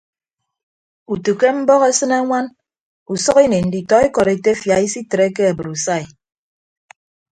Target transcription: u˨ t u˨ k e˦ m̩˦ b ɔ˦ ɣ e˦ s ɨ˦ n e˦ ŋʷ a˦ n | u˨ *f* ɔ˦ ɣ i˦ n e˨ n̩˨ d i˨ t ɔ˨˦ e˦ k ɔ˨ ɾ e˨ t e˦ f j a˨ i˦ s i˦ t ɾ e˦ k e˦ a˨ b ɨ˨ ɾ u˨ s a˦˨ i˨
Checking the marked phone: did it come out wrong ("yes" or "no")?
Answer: yes